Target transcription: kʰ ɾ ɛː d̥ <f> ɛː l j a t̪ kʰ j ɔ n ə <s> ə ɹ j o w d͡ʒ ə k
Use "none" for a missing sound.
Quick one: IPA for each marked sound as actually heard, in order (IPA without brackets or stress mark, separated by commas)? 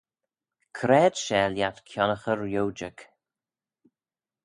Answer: ʃ, x